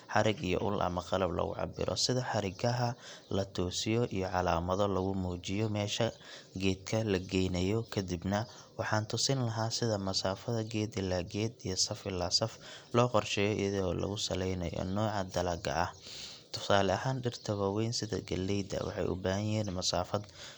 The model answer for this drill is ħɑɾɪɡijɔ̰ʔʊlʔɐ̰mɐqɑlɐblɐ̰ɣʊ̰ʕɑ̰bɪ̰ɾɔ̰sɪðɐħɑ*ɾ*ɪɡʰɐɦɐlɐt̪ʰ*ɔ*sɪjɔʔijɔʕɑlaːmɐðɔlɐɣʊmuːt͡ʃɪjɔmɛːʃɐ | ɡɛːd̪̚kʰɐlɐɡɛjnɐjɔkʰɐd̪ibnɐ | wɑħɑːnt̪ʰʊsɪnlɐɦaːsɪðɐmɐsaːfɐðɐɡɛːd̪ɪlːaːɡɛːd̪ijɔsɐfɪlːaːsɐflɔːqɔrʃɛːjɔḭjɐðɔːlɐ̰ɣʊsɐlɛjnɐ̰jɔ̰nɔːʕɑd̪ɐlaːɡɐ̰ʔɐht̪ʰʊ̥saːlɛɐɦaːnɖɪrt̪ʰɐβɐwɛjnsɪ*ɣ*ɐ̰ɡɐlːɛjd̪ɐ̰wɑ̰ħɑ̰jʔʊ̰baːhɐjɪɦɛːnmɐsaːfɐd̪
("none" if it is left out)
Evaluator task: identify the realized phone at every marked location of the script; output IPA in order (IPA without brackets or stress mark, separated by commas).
ɾ, ɔː, ð